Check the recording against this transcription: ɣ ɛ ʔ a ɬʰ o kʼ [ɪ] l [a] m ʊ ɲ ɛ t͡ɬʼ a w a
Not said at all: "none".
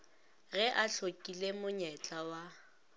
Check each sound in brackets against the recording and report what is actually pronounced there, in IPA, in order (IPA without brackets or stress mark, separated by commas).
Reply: i, e